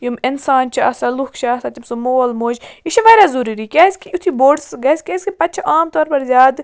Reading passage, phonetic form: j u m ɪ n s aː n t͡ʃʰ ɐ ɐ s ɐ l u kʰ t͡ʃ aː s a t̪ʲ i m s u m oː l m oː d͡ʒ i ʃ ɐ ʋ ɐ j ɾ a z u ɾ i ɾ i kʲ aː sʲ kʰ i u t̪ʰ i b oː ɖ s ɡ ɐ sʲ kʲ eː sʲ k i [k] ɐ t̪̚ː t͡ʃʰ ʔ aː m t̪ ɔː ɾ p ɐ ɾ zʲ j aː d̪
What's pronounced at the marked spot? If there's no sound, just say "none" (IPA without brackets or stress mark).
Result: p